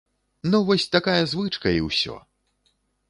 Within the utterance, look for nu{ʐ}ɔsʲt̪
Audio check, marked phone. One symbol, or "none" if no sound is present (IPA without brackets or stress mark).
v